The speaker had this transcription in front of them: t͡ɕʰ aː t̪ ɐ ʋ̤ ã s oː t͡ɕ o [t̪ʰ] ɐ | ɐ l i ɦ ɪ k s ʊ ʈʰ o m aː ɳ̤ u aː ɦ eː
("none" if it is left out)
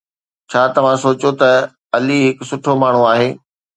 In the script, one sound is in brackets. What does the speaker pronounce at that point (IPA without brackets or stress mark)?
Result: t̪